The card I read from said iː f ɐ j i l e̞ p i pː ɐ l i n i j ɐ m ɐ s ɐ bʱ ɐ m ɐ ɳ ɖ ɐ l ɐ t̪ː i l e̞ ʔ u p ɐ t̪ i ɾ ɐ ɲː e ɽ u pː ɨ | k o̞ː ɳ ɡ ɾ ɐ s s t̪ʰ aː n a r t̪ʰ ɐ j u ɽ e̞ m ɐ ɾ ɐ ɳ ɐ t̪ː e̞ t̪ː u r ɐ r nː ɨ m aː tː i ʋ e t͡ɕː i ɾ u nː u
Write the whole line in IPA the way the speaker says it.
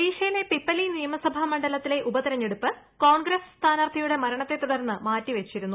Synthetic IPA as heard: iː ʂ ɐ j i l e̞ p i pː ɐ l i n i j ɐ m ɐ s ɐ bʱ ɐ m ɐ ɳ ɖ ɐ l ɐ t̪ː i l e̞ ʔ u b ɐ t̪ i ɾ ɐ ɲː e ɽ u pː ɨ | k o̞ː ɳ ɡ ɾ ɐ s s t̪ʰ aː n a r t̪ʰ ɐ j u ɽ e̞ m ɐ ɾ ɐ ɳ ɐ t̪ː e̞ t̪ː u ɽ ɐ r nː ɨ m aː tː i ʋ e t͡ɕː i ɾ u nː u